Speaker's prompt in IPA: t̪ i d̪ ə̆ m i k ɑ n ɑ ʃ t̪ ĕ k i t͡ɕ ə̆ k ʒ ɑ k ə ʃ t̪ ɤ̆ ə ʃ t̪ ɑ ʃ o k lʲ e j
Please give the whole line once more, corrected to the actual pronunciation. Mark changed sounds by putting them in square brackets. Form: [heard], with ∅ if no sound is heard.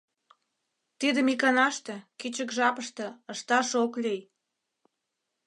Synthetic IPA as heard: t̪ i d̪ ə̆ m i k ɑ n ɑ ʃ t̪ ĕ k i t͡ɕ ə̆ k ʒ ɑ [p] ə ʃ t̪ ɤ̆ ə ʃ t̪ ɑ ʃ o k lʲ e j